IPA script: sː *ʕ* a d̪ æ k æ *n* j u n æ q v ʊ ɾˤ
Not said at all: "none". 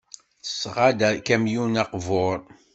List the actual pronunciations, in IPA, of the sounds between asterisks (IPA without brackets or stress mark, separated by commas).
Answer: ʁ, m